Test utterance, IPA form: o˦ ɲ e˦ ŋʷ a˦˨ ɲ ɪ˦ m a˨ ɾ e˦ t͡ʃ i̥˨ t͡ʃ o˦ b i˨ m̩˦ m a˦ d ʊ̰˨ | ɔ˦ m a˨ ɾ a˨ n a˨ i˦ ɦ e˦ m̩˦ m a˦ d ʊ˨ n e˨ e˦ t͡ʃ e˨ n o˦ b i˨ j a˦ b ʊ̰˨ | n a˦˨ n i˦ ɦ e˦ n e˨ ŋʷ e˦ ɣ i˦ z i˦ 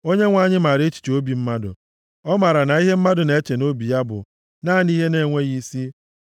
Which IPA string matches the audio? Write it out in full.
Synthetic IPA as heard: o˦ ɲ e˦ ŋʷ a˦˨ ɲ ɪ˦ m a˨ ɾ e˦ t͡ʃ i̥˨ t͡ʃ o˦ b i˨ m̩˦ m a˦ d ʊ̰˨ | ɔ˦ m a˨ ɾ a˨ n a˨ i˦ ɦ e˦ m̩˦ m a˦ d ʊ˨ n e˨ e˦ t͡ʃ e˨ n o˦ b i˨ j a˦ b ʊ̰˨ | n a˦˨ n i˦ ɦ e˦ n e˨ ŋʷ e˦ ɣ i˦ s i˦

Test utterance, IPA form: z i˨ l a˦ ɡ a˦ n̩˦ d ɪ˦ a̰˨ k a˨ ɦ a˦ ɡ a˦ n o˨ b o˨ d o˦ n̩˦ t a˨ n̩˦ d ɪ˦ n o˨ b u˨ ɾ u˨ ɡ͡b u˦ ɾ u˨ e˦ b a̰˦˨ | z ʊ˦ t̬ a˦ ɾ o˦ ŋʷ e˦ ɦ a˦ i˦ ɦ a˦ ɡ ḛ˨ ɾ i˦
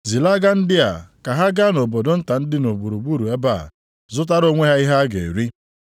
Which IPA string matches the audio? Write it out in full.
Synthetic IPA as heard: z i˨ l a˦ ɡ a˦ n̩˦ d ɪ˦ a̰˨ k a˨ ɦ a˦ ɡ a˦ n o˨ b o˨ d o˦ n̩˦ t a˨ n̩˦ d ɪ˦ n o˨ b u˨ ɾ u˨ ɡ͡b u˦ ɾ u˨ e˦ b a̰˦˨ | z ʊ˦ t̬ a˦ ɾ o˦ ŋʷ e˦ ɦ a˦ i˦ ɦ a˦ ɡ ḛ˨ ɾ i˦

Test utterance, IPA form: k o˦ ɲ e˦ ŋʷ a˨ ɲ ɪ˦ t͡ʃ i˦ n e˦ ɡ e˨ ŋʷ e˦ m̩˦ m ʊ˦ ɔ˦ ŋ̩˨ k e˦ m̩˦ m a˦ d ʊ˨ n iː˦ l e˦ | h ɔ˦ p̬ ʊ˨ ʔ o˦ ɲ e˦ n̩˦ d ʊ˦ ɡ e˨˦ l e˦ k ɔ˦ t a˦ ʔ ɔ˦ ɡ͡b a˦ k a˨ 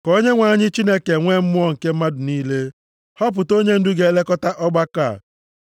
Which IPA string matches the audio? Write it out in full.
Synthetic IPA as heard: k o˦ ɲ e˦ ŋʷ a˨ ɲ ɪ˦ t͡ʃ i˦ n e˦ k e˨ ŋʷ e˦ m̩˦ m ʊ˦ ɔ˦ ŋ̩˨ k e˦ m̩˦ m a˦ d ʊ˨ n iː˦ l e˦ | h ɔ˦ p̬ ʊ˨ t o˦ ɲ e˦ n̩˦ d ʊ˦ ɡ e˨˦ l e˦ k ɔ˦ t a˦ ʔ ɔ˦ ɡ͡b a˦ k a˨

